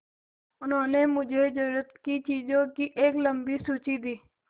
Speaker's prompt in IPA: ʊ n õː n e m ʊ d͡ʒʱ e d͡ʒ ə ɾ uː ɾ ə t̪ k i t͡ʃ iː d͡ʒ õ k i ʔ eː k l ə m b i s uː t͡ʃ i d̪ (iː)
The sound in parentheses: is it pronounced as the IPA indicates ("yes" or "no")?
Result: yes